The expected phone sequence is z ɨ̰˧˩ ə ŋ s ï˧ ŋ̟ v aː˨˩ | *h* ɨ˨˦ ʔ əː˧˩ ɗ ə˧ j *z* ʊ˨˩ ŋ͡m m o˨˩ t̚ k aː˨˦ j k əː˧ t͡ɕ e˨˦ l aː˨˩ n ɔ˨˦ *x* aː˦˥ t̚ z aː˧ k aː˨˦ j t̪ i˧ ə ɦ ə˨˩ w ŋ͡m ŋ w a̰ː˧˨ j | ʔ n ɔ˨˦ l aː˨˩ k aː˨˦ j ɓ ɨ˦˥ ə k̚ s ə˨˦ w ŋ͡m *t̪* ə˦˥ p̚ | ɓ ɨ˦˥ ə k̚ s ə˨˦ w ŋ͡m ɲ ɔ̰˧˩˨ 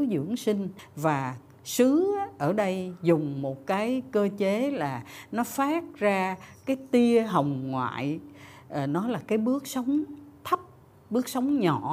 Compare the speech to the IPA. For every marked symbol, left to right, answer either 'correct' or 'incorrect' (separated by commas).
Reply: incorrect, correct, incorrect, incorrect